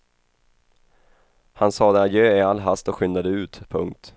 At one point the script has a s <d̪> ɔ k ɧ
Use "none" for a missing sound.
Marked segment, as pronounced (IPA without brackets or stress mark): t̪